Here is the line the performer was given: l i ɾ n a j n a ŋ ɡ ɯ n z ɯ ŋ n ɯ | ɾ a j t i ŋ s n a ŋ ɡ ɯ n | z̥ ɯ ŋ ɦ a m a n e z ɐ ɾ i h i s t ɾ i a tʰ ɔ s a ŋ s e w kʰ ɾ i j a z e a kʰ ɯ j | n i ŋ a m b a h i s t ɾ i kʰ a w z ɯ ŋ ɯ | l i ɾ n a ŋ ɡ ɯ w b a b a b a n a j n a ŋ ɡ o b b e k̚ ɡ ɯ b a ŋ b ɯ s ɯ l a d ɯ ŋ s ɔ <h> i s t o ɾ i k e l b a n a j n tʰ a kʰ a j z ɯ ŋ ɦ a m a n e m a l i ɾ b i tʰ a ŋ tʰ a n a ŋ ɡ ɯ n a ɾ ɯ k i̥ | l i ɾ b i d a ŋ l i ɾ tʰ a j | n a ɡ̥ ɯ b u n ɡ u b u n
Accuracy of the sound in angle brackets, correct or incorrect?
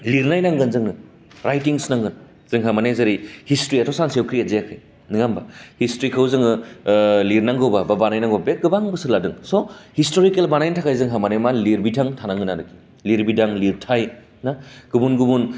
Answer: correct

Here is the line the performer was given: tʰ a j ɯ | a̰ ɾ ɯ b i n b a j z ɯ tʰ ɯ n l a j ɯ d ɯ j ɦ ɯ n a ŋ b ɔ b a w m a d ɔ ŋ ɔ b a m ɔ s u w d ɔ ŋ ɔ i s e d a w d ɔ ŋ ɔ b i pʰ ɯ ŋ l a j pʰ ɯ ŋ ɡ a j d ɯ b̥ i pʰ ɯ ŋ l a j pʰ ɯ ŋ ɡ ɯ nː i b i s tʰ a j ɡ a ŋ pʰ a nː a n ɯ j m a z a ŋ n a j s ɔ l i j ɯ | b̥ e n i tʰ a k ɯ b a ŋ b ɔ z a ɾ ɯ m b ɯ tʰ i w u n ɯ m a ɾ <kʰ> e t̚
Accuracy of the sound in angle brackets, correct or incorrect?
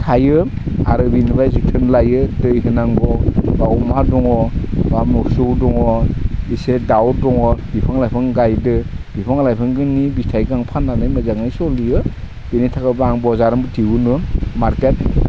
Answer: incorrect: k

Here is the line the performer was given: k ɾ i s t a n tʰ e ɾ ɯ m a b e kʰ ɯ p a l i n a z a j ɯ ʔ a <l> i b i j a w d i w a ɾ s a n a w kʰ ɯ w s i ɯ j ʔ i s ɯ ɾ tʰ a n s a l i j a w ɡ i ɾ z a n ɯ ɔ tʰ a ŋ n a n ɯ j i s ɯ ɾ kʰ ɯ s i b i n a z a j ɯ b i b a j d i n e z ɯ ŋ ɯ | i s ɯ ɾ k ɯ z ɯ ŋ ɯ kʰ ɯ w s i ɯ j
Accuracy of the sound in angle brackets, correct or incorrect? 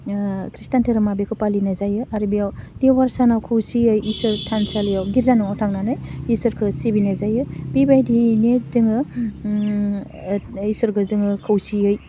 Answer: incorrect: ɾ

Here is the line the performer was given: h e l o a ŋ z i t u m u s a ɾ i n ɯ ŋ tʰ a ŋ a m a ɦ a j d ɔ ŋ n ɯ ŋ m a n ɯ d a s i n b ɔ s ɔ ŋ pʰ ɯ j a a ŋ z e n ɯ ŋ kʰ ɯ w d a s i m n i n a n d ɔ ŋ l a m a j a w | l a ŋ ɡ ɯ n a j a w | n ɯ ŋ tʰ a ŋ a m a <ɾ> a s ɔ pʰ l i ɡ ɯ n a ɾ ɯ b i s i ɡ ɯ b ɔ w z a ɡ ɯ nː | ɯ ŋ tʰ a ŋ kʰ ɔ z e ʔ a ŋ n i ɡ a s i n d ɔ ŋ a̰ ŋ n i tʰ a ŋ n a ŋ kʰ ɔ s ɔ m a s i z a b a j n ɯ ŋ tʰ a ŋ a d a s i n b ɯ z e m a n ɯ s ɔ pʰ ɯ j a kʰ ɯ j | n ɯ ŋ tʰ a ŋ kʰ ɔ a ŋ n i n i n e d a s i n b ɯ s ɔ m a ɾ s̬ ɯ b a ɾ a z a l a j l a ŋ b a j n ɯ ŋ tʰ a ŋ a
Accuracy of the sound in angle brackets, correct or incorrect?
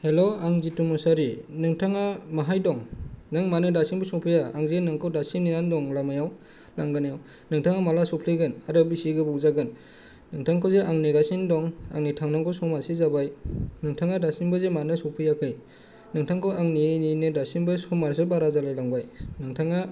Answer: incorrect: l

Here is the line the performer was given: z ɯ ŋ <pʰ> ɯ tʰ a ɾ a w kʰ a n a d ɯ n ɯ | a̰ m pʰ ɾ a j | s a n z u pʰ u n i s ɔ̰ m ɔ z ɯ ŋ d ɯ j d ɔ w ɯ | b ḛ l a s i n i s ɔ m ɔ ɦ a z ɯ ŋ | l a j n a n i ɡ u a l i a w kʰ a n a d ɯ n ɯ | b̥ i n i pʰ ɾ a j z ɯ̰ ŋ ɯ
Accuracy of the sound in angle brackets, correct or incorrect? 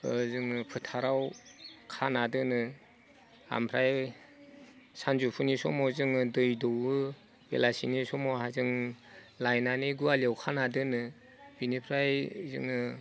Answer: correct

